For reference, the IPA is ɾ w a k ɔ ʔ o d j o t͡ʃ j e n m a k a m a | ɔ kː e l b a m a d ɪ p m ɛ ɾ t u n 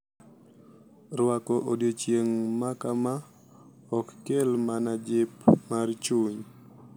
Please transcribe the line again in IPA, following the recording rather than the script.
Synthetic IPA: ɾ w a k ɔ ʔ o d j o t͡ʃ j e ŋ m a k a m a | ɔ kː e l m a n a d͡ʒ ɪ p m a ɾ t͡ʃ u ɲ